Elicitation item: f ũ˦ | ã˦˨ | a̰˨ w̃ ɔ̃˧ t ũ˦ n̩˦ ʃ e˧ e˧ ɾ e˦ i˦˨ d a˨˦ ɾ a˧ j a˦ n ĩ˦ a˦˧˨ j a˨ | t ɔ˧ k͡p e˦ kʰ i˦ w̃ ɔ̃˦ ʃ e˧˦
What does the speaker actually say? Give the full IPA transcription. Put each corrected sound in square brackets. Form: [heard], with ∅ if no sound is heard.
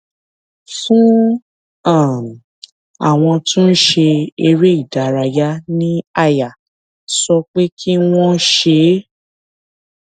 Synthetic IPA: f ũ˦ | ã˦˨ | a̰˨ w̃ ɔ̃˧ t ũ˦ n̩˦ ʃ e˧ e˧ ɾ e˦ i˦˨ d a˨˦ ɾ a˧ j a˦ n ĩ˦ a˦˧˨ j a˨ | [s] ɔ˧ k͡p e˦ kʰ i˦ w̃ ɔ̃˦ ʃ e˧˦